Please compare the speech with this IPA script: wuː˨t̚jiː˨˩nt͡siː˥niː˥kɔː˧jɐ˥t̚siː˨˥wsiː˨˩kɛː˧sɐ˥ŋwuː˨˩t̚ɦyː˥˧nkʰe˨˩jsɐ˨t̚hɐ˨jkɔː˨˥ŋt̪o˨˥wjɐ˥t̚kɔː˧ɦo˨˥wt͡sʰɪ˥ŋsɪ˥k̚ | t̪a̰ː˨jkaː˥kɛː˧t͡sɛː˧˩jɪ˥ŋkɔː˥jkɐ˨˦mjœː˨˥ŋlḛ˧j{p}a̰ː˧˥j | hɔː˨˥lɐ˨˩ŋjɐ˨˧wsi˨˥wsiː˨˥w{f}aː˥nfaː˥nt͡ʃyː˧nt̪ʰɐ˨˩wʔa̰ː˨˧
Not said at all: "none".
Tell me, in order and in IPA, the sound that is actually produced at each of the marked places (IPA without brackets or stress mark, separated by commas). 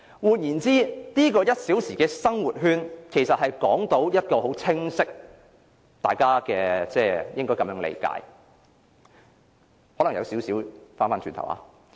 k, f